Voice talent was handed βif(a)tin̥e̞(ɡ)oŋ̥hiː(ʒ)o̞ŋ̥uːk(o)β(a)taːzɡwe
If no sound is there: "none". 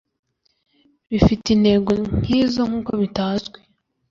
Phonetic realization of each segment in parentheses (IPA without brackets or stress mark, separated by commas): i, ɡ, z, o, i